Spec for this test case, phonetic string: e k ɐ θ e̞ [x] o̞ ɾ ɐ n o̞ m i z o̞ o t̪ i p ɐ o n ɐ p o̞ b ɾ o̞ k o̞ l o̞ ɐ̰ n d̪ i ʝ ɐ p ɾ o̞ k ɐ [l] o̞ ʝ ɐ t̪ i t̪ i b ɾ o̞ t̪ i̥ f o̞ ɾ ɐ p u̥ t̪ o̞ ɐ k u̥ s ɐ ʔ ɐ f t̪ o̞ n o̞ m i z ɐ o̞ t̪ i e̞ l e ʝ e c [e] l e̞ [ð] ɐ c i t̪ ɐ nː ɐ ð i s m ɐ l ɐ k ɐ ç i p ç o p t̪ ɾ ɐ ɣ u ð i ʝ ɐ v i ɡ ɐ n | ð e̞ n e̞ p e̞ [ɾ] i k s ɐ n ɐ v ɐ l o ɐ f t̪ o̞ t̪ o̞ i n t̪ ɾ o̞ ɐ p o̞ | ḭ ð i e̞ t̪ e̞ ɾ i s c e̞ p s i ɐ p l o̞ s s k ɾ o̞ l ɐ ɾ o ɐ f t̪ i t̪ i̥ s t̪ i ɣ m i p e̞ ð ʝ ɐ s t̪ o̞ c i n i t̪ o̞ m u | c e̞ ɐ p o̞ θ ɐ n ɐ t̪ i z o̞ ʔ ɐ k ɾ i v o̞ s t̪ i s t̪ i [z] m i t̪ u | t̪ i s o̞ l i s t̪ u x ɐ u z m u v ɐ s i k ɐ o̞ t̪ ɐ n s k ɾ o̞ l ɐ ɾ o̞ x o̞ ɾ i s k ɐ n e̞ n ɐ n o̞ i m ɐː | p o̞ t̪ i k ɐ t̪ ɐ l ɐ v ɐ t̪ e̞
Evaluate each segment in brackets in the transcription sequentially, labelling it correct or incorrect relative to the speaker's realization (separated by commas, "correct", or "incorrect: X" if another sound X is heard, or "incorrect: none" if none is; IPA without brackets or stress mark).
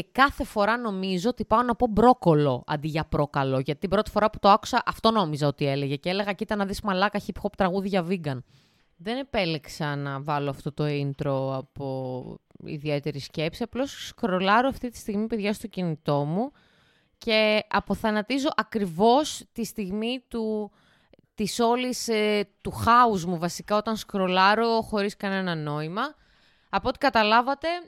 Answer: incorrect: f, correct, correct, incorrect: ɣ, incorrect: l, incorrect: ɣ